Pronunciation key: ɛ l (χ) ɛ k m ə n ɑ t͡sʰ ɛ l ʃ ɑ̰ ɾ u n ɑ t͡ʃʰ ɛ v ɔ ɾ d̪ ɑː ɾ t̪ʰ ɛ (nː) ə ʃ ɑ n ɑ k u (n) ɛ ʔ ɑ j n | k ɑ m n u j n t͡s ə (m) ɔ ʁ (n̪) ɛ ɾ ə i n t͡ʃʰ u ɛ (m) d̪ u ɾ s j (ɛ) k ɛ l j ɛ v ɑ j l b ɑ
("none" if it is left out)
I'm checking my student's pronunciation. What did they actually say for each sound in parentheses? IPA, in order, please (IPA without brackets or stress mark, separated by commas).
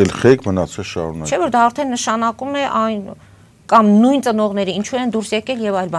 χ, nː, m, n, n̪, n, ɛ